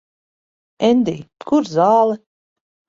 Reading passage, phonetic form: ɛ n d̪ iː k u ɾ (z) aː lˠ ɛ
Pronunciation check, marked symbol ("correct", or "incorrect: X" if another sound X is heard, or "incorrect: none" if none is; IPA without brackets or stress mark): correct